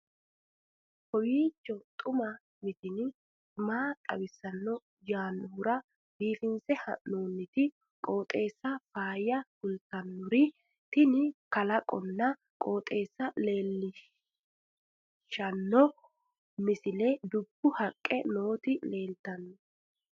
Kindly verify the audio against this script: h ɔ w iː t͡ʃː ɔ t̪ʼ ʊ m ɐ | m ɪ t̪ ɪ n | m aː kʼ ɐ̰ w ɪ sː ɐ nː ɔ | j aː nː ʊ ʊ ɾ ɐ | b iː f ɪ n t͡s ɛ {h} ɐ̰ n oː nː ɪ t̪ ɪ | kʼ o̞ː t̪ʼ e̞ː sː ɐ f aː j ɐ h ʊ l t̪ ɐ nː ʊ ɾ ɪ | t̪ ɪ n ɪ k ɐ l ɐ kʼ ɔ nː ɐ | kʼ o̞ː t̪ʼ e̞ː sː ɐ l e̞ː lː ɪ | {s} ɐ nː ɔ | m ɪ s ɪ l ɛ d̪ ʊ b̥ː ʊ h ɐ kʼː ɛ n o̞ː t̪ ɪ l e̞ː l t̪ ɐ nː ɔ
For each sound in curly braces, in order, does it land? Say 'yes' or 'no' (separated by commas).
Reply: yes, no